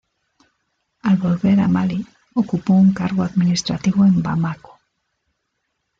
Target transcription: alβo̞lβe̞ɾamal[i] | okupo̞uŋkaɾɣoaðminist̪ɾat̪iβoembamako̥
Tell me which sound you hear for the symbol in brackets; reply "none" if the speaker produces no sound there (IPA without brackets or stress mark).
i